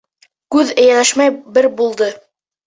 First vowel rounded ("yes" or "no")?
yes